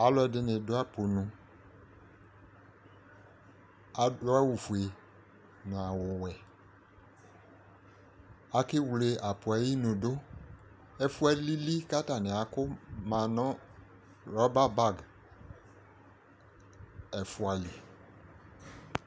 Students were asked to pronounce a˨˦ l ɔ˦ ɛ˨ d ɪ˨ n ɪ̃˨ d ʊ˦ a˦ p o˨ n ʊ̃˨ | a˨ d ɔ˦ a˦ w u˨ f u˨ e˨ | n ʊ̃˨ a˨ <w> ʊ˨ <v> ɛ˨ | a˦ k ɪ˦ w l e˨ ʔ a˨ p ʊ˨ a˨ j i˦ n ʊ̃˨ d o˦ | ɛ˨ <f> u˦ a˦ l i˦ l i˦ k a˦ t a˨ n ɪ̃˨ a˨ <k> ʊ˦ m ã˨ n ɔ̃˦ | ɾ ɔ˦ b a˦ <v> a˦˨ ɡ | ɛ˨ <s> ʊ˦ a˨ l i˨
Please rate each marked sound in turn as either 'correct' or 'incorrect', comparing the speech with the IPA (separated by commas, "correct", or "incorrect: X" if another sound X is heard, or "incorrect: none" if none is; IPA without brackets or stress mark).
correct, incorrect: w, correct, correct, incorrect: b, incorrect: f